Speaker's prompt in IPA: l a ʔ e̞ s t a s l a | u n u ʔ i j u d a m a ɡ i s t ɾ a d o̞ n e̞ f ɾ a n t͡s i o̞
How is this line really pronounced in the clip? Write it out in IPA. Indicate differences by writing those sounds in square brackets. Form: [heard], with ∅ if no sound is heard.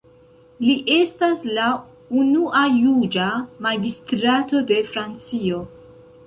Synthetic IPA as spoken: l [i] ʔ e̞ s t a s l a | u n u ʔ [a] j u [d͡ʒ] a m a ɡ i s t ɾ a [t] o̞ [d] e̞ f ɾ a n t͡s i o̞